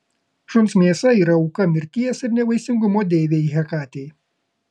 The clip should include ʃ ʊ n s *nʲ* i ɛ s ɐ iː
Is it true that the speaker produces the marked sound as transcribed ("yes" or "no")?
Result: no